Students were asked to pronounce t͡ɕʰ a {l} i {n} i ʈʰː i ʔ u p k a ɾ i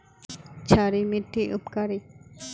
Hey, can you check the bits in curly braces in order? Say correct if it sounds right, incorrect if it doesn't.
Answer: incorrect, incorrect

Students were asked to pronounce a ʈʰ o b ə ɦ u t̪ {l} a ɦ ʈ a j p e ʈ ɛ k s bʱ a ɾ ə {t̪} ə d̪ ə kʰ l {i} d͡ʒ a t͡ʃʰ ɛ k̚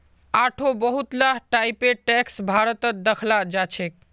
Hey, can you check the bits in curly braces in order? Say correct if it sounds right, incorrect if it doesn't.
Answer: correct, correct, incorrect

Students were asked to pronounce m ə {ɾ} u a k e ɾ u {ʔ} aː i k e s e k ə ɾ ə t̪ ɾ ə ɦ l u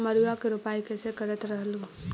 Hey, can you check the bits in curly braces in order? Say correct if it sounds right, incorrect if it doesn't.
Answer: correct, incorrect

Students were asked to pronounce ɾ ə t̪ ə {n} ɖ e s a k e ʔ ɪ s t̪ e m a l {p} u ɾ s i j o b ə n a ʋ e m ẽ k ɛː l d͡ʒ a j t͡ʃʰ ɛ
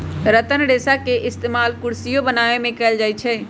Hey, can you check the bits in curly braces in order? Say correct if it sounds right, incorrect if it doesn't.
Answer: correct, incorrect

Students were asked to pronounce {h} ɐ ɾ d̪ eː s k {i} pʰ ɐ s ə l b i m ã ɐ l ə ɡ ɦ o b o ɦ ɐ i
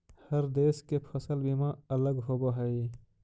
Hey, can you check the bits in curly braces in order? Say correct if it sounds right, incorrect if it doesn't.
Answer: correct, incorrect

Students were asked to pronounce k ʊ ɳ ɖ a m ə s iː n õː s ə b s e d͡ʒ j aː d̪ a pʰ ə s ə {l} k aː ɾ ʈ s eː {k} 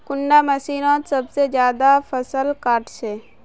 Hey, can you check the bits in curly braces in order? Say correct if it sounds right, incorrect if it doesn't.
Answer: correct, incorrect

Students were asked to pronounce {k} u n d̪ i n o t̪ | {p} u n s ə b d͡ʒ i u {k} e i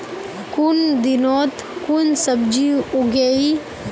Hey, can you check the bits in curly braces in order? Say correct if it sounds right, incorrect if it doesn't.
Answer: correct, incorrect, incorrect

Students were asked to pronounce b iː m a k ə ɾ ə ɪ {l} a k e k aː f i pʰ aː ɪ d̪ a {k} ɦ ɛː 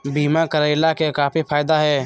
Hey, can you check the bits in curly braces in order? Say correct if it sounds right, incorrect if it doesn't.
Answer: correct, incorrect

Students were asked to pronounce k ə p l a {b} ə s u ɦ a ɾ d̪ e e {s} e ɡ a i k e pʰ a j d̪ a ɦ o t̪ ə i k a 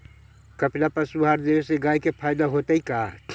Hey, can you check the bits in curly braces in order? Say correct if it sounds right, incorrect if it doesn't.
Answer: incorrect, correct

